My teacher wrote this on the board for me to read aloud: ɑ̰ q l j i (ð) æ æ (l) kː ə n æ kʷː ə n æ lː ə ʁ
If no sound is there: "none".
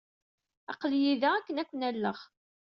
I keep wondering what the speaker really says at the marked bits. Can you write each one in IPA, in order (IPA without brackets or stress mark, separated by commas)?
ð, none